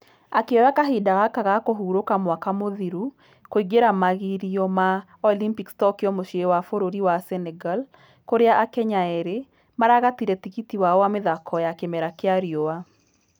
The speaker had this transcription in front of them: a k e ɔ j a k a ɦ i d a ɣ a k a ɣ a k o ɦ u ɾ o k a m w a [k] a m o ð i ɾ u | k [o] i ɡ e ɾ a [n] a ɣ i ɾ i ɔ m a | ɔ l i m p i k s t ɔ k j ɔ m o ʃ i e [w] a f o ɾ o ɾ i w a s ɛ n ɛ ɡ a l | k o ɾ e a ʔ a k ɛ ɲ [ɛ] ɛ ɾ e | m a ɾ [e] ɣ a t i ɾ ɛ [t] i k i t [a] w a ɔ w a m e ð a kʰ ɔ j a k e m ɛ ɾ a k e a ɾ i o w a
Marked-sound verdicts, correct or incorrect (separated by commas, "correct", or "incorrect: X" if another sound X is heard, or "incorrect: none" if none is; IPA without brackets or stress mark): correct, correct, incorrect: m, correct, incorrect: a, incorrect: a, correct, incorrect: i